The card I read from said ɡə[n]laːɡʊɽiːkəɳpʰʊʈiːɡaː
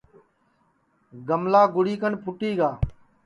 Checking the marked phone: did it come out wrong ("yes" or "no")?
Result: yes